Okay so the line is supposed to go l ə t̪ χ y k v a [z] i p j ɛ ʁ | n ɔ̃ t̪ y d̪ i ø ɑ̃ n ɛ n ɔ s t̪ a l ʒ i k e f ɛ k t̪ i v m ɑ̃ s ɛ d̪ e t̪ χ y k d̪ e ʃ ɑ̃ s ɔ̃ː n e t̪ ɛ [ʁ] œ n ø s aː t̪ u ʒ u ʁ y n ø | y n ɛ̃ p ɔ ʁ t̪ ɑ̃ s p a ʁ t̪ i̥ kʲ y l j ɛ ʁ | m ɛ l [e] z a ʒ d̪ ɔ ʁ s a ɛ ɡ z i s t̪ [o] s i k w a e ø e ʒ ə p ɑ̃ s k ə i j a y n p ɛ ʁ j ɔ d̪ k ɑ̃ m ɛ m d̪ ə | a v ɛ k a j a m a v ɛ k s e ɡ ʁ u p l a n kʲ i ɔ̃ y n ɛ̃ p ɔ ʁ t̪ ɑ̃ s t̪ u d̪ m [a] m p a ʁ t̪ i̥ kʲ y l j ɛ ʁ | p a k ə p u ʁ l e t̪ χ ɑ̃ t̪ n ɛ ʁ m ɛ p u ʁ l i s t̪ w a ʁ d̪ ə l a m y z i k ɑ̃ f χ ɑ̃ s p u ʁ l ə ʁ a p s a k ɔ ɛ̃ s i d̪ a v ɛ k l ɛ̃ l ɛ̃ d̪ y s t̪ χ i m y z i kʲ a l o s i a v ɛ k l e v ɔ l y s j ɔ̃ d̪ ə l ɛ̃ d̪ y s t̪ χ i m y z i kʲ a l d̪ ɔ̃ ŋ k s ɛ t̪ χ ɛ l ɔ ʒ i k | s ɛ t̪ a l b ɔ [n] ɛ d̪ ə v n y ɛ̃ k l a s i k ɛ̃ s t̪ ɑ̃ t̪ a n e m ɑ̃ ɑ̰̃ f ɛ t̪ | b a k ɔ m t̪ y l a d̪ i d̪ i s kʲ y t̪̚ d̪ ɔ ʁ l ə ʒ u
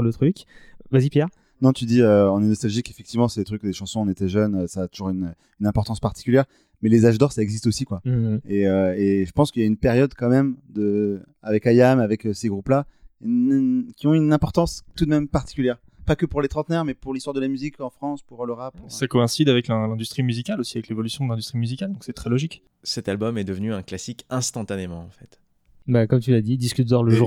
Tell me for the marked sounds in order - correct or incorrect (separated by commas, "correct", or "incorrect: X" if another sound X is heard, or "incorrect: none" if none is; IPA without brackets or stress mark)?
correct, incorrect: ʒ, correct, correct, incorrect: ɛ, incorrect: m